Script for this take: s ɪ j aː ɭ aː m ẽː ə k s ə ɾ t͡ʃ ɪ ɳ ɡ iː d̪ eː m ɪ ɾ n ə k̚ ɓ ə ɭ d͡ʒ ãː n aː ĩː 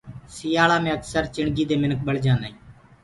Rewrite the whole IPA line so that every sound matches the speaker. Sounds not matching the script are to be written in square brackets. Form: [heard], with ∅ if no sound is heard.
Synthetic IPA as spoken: s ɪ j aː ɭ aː m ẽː ə k s ə ɾ t͡ʃ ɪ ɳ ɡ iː d̪ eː m ɪ [∅] n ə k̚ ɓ ə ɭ d͡ʒ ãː n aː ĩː